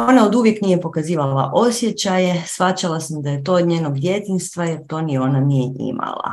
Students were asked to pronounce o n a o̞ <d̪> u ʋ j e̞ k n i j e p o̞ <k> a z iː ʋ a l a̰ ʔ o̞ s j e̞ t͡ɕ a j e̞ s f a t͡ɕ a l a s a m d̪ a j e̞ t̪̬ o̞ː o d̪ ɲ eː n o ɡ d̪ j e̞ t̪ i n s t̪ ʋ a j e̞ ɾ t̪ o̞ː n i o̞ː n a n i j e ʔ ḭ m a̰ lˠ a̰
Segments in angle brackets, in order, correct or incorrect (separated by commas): correct, correct